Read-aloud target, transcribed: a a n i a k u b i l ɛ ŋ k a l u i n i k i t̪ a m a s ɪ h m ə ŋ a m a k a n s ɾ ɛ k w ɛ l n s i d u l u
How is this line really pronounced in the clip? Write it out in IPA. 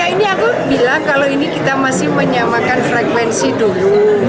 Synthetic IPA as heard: a i n i a k u b i l a ŋ k a l o i n i k i t̪ a m a s ɪ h m ə ɲ a m a k a n f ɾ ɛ k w ɛ n s i d u l u